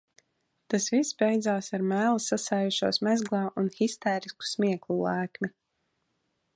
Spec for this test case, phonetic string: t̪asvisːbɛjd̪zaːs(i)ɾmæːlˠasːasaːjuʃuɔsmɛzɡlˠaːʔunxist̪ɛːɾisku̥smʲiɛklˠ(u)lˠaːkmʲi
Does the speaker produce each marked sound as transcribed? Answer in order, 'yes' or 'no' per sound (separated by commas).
no, yes